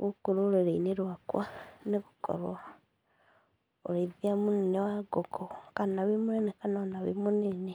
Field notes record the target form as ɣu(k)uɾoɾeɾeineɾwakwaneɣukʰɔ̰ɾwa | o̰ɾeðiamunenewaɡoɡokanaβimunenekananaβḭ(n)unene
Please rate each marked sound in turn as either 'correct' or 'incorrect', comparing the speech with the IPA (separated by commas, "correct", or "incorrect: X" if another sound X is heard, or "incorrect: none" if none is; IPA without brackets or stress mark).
correct, incorrect: m